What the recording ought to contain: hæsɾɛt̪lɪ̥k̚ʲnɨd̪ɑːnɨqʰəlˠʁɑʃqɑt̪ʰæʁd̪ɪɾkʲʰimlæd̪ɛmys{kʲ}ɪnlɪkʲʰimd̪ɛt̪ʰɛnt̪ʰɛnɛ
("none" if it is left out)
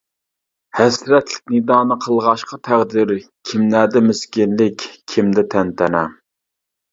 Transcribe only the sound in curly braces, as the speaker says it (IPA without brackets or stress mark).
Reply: kʲ